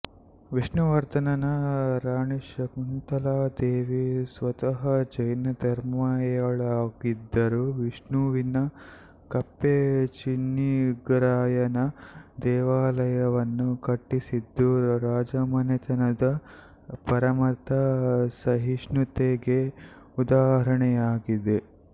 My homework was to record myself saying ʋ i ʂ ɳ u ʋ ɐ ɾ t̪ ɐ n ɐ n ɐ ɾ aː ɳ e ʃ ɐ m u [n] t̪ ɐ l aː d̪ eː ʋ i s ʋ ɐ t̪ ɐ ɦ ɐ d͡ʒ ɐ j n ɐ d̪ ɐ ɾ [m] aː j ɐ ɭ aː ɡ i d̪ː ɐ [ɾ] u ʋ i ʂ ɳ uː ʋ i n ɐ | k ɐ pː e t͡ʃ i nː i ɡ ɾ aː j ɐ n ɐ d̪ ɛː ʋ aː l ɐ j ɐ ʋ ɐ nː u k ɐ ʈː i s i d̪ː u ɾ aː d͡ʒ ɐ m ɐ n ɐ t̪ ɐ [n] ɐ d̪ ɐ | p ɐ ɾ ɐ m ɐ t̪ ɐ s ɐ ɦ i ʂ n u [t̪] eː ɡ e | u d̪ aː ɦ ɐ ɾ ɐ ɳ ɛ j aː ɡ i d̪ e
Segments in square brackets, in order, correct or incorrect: correct, correct, correct, correct, correct

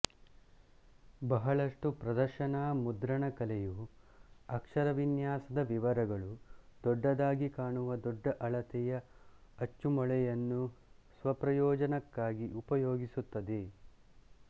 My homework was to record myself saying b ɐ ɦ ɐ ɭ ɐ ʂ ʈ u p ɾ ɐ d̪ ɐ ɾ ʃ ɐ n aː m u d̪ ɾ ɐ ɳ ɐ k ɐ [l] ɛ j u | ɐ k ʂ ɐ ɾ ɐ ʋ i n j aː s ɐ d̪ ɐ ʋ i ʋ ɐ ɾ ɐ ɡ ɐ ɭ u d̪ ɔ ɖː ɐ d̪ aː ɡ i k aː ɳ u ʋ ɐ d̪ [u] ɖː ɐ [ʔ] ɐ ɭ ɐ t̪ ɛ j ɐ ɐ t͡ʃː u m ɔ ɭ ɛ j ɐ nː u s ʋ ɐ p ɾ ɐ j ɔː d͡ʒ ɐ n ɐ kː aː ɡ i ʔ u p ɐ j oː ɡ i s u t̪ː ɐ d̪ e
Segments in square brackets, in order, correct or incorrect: correct, incorrect: ɔ, correct

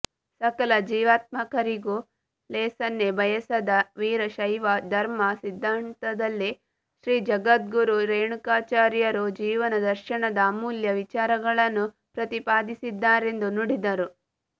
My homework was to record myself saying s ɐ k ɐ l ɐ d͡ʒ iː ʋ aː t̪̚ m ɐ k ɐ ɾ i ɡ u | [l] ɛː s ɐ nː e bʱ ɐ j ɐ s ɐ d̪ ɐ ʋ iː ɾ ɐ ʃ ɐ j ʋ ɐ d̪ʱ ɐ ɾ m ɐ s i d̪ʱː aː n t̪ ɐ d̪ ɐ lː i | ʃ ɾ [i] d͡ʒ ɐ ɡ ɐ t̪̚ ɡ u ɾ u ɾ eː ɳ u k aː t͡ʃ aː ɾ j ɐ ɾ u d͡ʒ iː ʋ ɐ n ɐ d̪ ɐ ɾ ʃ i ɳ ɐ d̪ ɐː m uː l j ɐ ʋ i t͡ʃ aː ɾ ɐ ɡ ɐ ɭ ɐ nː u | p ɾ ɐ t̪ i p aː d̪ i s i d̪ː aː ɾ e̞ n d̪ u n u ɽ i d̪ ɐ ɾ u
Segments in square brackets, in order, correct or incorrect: correct, incorrect: iː

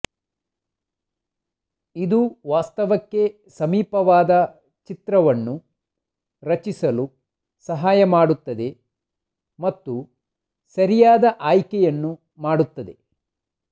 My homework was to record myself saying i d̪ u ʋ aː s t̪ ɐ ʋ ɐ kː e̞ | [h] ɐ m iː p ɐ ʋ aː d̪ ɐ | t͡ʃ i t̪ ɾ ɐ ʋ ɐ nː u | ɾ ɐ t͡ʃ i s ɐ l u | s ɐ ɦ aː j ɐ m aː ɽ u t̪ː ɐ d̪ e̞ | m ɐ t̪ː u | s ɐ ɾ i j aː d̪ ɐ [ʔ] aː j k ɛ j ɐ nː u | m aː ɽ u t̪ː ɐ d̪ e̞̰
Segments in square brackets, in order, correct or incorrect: incorrect: s, correct

